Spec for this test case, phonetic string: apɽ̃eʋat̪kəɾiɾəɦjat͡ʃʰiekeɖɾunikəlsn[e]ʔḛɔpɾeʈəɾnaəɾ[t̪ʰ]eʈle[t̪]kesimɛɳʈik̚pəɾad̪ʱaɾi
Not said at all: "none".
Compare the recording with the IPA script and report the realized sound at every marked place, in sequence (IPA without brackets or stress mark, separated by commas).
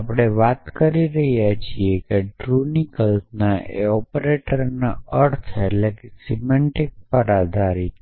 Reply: a, t̪ʰ, none